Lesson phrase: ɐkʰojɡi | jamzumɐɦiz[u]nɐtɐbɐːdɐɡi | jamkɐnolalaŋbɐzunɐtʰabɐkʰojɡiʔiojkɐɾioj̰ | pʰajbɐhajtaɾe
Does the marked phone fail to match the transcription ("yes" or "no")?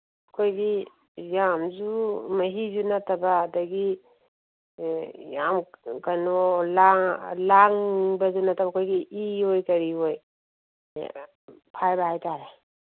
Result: no